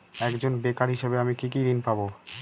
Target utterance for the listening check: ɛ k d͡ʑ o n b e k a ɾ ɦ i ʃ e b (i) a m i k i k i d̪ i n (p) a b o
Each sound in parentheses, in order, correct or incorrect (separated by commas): incorrect, correct